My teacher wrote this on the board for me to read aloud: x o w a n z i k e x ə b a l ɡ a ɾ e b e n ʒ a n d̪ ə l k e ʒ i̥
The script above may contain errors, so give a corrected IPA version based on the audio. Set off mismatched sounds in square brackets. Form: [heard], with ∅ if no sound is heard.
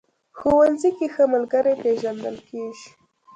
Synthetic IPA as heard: x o w a n z i k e x ə [m] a l ɡ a ɾ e [p] e [∅] ʒ a n d̪ ə l k e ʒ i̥